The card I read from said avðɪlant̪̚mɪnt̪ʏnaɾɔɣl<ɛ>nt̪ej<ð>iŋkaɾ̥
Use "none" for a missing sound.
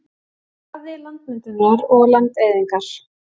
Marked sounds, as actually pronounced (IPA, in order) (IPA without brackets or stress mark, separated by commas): a, ð